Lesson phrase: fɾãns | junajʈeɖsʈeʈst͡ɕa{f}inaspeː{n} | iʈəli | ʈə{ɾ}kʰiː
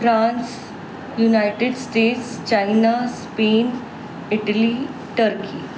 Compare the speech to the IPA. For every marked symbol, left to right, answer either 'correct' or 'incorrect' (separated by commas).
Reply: incorrect, correct, correct